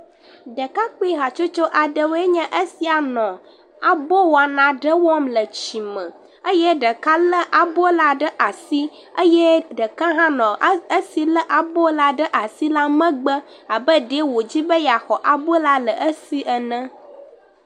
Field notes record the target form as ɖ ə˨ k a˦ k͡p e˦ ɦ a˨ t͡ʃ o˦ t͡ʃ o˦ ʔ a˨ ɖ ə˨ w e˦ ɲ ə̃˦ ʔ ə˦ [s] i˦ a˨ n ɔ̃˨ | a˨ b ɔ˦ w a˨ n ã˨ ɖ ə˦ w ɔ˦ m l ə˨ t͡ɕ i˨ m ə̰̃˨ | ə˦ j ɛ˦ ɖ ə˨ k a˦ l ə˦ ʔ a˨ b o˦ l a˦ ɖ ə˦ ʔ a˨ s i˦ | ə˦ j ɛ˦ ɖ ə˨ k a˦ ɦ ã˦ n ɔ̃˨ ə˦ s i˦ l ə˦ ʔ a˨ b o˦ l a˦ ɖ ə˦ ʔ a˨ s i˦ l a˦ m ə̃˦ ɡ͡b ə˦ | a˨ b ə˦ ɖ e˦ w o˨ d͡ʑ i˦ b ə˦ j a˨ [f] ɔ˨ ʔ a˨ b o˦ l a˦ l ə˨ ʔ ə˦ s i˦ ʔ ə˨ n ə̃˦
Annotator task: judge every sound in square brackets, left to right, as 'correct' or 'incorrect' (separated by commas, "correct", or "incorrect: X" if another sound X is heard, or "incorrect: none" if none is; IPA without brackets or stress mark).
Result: correct, incorrect: x